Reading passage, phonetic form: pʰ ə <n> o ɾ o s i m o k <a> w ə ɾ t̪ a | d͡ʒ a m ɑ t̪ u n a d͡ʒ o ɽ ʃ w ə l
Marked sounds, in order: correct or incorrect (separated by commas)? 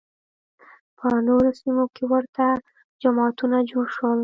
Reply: correct, incorrect